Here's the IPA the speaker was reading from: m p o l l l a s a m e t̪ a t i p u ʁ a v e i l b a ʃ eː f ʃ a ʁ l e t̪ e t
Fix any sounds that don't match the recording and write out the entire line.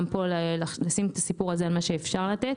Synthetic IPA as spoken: m p o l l l a s i m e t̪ a s i p u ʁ a z e a l m a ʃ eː f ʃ a ʁ l a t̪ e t